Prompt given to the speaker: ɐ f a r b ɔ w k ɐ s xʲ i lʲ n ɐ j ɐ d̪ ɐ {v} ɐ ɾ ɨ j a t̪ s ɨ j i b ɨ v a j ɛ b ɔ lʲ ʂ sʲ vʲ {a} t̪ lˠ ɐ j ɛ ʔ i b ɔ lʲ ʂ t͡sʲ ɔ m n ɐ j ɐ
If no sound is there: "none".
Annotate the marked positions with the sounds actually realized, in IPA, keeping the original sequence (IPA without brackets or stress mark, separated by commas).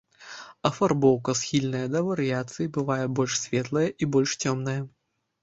v, ɛ